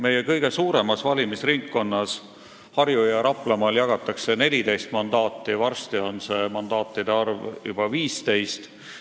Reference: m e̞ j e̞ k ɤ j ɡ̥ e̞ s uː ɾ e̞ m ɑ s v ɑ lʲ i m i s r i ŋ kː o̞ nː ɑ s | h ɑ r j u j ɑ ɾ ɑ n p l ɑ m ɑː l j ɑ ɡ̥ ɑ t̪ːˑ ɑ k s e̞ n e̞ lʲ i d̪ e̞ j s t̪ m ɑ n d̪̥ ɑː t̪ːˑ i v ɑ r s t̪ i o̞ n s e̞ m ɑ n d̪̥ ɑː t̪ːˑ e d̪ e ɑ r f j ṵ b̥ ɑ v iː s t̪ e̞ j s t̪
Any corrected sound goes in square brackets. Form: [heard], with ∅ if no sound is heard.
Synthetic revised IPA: m e̞ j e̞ k ɤ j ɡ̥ e̞ s uː ɾ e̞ m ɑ s v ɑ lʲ i m i s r i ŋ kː o̞ nː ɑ s | h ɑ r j u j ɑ ɾ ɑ [∅] p l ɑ m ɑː l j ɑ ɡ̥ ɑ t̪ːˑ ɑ k s e̞ n e̞ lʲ i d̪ e̞ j s t̪ m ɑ n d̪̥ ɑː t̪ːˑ i v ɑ r s t̪ i o̞ n s e̞ m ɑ n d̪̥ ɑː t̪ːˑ [i] d̪ e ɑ r [v] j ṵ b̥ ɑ v iː s t̪ e̞ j s t̪